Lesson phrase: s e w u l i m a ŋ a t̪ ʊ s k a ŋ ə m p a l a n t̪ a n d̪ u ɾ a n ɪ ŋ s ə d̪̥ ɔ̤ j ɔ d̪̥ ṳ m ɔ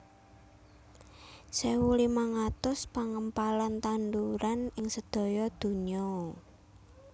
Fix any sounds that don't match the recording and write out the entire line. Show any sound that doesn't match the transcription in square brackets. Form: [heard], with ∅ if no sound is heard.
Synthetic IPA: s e w u l i m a ŋ a t̪ ʊ s [p] a ŋ ə m p a l a n t̪ a n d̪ u ɾ a n ɪ ŋ s ə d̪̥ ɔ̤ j ɔ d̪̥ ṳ [ɲ] ɔ